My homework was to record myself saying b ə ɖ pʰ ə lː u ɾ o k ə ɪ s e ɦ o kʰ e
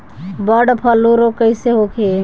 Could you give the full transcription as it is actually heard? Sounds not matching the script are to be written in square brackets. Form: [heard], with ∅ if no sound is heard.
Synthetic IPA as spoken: b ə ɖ pʰ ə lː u ɾ o k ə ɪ s e ɦ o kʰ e

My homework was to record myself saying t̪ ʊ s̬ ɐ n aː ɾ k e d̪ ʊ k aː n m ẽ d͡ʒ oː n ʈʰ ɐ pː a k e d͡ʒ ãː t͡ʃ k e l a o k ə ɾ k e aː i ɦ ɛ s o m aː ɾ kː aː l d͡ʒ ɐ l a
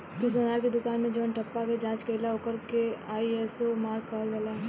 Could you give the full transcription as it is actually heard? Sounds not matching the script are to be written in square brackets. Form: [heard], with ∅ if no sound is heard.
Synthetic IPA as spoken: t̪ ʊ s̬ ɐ n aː ɾ k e d̪ ʊ k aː n m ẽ d͡ʒ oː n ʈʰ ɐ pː a k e d͡ʒ ãː t͡ʃ k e l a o k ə ɾ k e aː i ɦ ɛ s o m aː ɾ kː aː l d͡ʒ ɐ l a

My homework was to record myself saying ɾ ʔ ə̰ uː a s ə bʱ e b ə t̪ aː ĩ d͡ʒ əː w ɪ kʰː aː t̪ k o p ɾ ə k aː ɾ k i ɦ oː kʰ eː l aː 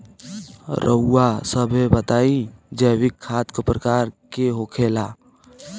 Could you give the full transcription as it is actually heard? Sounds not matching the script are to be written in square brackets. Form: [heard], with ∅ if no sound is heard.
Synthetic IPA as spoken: ɾ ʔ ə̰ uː a s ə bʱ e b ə t̪ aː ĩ d͡ʒ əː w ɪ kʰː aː t̪ k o p ɾ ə k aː ɾ k [e] ɦ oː kʰ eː l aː

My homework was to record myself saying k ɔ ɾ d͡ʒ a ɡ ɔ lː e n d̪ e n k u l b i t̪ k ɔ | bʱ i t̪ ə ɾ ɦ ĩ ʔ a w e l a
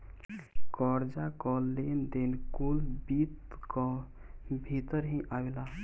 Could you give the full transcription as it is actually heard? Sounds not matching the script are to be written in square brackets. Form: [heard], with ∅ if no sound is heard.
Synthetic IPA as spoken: k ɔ ɾ d͡ʒ a [k] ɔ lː e n d̪ e n k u l b i t̪ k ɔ | bʱ i t̪ ə ɾ ɦ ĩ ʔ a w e l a

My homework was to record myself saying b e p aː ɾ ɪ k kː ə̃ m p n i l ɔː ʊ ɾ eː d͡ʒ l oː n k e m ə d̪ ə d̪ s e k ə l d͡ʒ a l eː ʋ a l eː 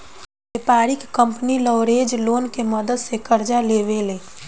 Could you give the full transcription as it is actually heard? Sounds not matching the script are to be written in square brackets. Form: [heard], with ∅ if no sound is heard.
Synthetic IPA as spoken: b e p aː ɾ ɪ k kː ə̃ m p n i l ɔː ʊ ɾ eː d͡ʒ l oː n k e m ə d̪ ə d̪ s e k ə [ɾ] d͡ʒ a l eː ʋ [e] l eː

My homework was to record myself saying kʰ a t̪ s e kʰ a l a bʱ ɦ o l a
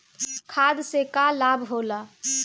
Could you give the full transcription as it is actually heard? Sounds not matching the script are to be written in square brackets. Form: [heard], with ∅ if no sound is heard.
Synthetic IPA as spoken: kʰ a [d̪] s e [k] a l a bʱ ɦ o l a

